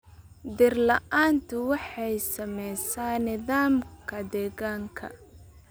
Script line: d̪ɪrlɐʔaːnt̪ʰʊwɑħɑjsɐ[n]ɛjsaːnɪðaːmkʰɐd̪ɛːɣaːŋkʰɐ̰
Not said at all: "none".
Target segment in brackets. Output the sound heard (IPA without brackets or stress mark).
m